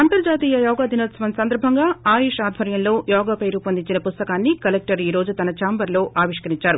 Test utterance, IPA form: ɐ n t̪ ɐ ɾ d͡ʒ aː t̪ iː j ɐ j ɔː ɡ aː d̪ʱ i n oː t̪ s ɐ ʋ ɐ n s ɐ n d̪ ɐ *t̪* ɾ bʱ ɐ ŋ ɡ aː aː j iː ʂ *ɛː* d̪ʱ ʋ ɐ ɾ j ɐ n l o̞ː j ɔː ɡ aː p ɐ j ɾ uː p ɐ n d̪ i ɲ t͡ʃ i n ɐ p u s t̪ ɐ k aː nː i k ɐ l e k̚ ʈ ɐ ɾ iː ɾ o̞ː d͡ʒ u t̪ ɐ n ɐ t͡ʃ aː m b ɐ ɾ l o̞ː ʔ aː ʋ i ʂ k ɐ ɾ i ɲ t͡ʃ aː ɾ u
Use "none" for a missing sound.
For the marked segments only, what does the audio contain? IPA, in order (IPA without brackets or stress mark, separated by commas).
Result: none, aː